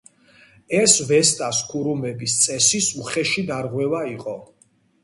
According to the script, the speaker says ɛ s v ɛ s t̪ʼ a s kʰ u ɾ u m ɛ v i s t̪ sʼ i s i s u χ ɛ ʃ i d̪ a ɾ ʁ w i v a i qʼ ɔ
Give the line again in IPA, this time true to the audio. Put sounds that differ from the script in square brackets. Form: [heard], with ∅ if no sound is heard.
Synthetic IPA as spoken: ɛ s v ɛ s t̪ʼ a s kʰ u ɾ u m ɛ [b] i s t̪ sʼ [ɛ] s i s u χ ɛ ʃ i d̪ a ɾ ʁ w [ɛ] v a i qʼ ɔ

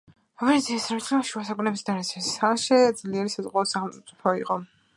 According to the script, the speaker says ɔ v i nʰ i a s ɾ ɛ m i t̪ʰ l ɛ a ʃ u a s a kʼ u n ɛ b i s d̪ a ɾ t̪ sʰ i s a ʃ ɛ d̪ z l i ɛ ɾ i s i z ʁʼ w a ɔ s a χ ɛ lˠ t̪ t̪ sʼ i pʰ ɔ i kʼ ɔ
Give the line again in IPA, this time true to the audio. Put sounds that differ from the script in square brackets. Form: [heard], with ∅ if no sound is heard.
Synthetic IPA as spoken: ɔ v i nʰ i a s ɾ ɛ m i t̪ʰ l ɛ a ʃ u a s a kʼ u n ɛ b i s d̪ a ɾ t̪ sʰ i s a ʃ ɛ d̪ z l i ɛ ɾ i s [a] z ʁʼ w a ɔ s a χ ɛ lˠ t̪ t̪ sʼ i pʰ ɔ i [qʼ] ɔ

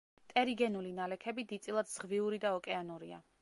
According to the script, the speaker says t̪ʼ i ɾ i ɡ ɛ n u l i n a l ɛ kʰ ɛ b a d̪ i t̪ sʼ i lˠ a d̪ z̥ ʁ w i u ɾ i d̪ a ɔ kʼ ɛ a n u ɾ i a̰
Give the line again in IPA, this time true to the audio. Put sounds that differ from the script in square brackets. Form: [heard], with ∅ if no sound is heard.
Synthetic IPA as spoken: t̪ʼ [ɛ] ɾ i ɡ ɛ n u l i n a l ɛ kʰ ɛ b [i] d̪ i t̪ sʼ i lˠ a d̪ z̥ ʁ [v] i u ɾ i d̪ a ɔ kʼ ɛ a n u ɾ i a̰

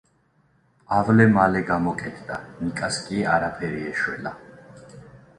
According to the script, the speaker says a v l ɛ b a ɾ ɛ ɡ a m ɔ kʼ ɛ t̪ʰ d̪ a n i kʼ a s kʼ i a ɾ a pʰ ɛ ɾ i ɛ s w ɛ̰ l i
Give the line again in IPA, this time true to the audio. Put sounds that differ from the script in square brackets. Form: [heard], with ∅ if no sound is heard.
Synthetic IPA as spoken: a v l ɛ [m] a [l] ɛ ɡ a m ɔ kʼ ɛ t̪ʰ d̪ a n i kʼ a s kʼ i a ɾ a pʰ ɛ ɾ i ɛ [ʃ] w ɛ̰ l [a]

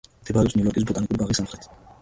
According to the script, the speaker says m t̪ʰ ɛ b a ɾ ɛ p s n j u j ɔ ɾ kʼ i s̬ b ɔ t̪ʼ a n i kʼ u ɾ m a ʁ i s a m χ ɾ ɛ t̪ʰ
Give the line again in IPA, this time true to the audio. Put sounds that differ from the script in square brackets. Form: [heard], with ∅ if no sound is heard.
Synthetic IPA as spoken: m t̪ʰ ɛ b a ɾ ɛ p s n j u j ɔ ɾ kʼ i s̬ b ɔ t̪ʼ a n i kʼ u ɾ [b] a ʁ i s a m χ ɾ ɛ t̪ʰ

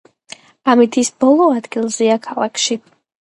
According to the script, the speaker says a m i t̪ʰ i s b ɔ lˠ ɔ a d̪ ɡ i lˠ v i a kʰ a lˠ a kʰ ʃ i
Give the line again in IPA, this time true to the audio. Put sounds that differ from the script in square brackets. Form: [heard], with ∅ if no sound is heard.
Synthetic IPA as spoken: a m i t̪ʰ i s b ɔ lˠ ɔ a d̪ ɡ i lˠ [z] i a kʰ a lˠ a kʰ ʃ i

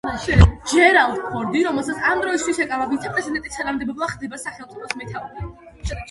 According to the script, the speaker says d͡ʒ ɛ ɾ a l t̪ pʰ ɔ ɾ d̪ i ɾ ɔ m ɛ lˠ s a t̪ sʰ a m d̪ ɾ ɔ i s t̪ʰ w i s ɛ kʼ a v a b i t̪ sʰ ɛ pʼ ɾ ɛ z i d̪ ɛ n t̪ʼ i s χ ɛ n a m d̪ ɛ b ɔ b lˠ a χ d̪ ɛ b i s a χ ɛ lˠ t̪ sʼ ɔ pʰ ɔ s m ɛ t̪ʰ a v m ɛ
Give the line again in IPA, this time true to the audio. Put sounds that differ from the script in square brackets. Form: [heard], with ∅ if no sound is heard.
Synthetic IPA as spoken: d͡ʒ ɛ ɾ a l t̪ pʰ ɔ ɾ d̪ i ɾ ɔ m ɛ lˠ s a t̪ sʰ a m d̪ ɾ ɔ i s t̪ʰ w i s ɛ kʼ a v a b i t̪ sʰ ɛ pʼ ɾ ɛ z i d̪ ɛ n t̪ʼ i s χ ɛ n a m d̪ ɛ b ɔ b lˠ a χ d̪ ɛ b [a] s a χ ɛ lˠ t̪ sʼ ɔ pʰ ɔ s m ɛ t̪ʰ a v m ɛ

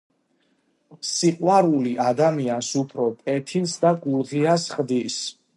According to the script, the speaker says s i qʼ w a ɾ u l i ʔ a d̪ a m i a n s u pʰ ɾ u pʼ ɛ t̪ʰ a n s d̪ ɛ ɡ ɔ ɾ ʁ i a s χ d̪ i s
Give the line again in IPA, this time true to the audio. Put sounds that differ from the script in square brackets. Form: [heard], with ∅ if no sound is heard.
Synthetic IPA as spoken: s i qʼ w a ɾ u l i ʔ a d̪ a m i a n s u pʰ ɾ [ɔ] pʼ ɛ t̪ʰ [i] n s d̪ [a] ɡ [u] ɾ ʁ i a s χ d̪ i s

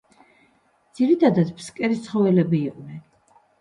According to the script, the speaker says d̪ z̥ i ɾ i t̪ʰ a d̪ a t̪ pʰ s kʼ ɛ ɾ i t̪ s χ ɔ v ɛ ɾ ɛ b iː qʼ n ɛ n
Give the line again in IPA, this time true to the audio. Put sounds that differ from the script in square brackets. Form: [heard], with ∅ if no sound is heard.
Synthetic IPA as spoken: d̪ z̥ i ɾ i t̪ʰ a d̪ a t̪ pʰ s kʼ ɛ ɾ i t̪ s χ ɔ v ɛ [l] ɛ b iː qʼ n ɛ n

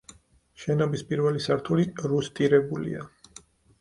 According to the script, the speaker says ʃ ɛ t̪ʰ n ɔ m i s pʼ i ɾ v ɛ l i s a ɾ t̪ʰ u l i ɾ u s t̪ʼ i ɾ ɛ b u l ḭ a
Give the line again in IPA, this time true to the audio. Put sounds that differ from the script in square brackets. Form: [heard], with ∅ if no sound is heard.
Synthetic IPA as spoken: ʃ ɛ [∅] n ɔ [b] i s pʼ i ɾ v ɛ l i s a ɾ t̪ʰ u l i ɾ u s t̪ʼ i ɾ ɛ b u l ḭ a

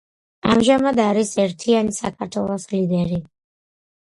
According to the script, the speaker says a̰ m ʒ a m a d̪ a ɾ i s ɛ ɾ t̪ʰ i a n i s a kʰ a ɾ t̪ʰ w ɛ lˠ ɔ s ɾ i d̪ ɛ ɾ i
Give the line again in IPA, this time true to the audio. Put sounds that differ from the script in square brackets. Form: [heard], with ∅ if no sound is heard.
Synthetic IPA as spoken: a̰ m ʒ a m a d̪ a ɾ i s ɛ ɾ t̪ʰ i a n i s a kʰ a ɾ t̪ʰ w ɛ lˠ ɔ s [l] i d̪ ɛ ɾ i

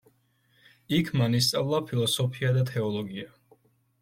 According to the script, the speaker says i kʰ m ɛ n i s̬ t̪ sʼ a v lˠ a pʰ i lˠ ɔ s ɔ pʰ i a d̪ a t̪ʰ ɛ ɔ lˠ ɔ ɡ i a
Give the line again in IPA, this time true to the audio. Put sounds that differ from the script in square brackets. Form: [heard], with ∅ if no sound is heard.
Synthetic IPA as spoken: i kʰ m [a] n i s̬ t̪ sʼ a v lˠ a pʰ i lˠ ɔ s ɔ pʰ i a d̪ a t̪ʰ ɛ ɔ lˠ ɔ ɡ i a

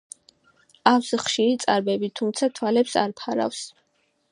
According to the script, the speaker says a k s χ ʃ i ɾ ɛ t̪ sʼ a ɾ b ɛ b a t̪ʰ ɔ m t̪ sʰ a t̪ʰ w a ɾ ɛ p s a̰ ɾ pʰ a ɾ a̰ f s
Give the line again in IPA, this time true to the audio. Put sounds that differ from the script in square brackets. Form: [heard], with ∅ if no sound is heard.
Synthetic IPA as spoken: a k s χ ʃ i ɾ [i] t̪ sʼ a ɾ b ɛ b [i] t̪ʰ [u] m t̪ sʰ a t̪ʰ w a [l] ɛ p s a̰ ɾ pʰ a ɾ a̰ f s

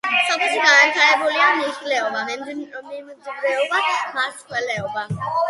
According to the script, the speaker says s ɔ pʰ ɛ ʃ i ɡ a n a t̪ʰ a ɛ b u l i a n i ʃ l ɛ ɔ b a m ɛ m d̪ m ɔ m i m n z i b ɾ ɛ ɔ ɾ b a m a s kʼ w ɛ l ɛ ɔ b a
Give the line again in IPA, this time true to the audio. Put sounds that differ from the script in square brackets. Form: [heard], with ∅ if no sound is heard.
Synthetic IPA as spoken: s ɔ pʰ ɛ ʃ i ɡ a n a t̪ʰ a ɛ b u l i a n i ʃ l ɛ ɔ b a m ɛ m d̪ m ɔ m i m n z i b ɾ ɛ ɔ [∅] b a m a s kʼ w ɛ l ɛ ɔ b a

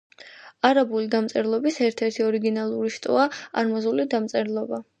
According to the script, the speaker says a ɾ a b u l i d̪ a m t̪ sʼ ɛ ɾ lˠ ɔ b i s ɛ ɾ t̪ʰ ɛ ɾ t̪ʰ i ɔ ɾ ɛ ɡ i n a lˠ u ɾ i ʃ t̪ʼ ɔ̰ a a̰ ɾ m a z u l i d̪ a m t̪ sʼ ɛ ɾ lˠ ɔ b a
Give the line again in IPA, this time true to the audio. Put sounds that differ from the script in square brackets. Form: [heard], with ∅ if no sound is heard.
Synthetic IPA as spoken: a ɾ a b u l i d̪ a m t̪ sʼ ɛ ɾ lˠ ɔ b i s ɛ ɾ t̪ʰ ɛ ɾ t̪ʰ i ɔ ɾ [i] ɡ i n a lˠ u ɾ i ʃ t̪ʼ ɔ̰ a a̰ ɾ m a z u l i d̪ a m t̪ sʼ ɛ ɾ lˠ ɔ b a

